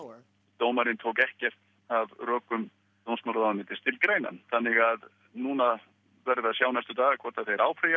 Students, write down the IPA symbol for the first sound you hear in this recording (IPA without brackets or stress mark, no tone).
t̪